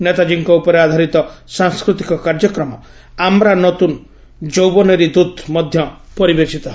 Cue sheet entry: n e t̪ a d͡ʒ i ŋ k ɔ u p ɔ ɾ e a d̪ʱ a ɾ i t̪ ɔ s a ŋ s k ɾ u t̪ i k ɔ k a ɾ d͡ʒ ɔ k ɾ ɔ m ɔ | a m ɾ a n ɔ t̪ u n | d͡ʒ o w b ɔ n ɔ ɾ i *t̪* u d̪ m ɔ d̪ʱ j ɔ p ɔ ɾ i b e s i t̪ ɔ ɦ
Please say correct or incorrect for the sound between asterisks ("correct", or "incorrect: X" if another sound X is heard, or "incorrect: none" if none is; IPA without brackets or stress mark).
incorrect: d̪